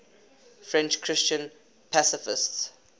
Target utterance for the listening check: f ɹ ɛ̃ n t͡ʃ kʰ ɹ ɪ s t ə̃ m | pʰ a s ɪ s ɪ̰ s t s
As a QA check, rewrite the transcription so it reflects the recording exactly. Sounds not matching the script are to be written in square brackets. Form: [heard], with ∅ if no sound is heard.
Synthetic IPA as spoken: f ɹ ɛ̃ n t͡ʃ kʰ ɹ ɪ s [t͡ʃ] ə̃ [n] | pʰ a s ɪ [f] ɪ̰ s t s